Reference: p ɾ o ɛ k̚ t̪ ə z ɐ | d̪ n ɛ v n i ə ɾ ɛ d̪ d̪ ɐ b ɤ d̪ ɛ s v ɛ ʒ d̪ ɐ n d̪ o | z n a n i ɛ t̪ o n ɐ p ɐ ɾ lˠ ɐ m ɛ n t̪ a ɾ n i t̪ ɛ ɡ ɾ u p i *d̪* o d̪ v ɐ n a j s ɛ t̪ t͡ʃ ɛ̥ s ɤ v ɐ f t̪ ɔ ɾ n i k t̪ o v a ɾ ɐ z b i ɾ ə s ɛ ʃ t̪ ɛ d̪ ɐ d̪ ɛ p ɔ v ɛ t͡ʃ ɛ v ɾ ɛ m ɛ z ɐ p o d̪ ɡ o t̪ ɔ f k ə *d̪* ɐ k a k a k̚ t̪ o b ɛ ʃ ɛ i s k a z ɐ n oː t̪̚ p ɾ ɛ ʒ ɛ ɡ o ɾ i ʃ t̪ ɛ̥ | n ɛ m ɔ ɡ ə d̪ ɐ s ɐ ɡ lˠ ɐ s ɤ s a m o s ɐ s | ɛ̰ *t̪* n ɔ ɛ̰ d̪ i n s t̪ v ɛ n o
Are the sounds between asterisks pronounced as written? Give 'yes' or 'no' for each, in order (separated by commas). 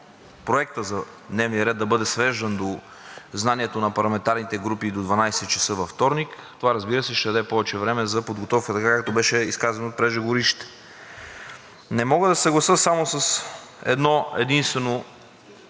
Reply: yes, no, no